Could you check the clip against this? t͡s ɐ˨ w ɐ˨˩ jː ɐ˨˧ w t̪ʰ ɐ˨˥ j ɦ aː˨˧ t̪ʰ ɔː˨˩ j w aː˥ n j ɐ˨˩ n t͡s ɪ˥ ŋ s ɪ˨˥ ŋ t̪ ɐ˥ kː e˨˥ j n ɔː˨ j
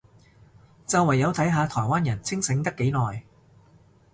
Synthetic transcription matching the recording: t͡s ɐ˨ w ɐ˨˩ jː ɐ˨˧ w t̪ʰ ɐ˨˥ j ɦ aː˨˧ t̪ʰ ɔː˨˩ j w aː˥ n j ɐ˨˩ n t͡sʰ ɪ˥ ŋ s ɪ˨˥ ŋ t̪ ɐ˥ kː e˨˥ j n ɔː˨ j

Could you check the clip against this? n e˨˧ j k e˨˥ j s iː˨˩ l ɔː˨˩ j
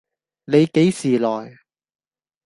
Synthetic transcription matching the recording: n e˨˧ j k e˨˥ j s iː˨˩ l ɔː˨˩ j

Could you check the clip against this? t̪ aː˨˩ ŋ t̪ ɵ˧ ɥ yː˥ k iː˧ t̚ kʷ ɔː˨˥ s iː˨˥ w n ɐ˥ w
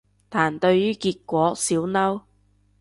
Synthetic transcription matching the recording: t̪ʰ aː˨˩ n t̪ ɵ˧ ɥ yː˥ k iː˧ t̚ kʷ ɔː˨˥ s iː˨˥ w n ɐ˥ w

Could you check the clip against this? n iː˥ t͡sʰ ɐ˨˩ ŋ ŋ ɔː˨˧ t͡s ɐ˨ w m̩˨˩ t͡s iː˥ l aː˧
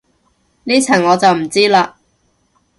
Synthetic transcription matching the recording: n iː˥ t͡sʰ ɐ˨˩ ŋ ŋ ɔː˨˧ t͡s ɐ˨ w m̩˨˩ t͡s iː˥ l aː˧

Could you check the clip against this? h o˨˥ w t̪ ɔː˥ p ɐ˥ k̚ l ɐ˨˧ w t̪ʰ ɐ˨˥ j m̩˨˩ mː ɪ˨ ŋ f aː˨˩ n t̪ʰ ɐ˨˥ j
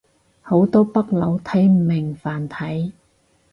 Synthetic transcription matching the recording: h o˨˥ w t̪ ɔː˥ p ɐ˥ k̚ l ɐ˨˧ w t̪ʰ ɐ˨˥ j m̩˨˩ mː ɪ˨ ŋ f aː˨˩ n t̪ʰ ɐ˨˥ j

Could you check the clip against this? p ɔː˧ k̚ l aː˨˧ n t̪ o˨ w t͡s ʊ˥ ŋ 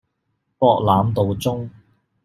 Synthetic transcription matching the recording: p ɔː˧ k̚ l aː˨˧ m t̪ o˨ w t͡s ʊ˥ ŋ

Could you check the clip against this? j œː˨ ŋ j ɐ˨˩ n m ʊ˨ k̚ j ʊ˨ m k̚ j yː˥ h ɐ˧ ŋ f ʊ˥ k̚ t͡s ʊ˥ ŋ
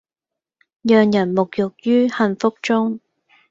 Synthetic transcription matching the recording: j œː˨ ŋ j ɐ˨˩ n m ʊ˨ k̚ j ʊ˨ k̚ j yː˥ h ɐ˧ n f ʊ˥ k̚ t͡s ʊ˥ ŋ

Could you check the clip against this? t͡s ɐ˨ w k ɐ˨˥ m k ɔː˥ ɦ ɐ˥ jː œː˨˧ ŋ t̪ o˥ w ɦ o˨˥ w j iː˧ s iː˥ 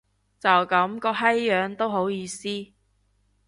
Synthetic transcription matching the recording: t͡s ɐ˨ w k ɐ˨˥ m k ɔː˧ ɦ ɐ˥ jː œː˨˧ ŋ t̪ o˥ w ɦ o˨˥ w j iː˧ s iː˥

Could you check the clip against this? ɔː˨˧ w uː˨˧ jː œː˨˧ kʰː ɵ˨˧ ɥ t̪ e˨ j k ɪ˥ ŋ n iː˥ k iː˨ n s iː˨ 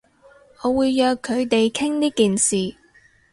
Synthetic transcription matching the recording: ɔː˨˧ w uː˨˧ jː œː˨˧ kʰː ɵ˨˧ ɥ t̪ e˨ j kʰ ɪ˥ ŋ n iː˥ k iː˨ n s iː˨

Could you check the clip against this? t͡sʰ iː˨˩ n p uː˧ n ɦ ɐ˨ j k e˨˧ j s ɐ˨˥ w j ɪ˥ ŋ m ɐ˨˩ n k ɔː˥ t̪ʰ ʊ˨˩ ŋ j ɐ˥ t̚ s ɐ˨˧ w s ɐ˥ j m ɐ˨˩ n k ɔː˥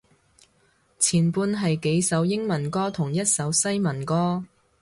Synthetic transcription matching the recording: t͡sʰ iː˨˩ n p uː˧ n ɦ ɐ˨ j k e˨˧ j s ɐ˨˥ w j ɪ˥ ŋ m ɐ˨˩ n k ɔː˥ t̪ʰ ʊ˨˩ ŋ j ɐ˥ t̚ s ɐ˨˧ w s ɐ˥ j m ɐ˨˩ n k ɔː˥

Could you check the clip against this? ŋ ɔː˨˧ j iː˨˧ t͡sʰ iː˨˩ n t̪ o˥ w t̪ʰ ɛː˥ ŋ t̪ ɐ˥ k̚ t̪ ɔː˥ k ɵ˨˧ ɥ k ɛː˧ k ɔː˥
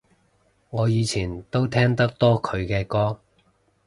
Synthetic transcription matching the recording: ŋ ɔː˨˧ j iː˨˧ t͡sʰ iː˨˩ n t̪ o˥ w t̪ʰ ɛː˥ ŋ t̪ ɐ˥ k̚ t̪ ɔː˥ kʰ ɵ˨˧ ɥ k ɛː˧ k ɔː˥

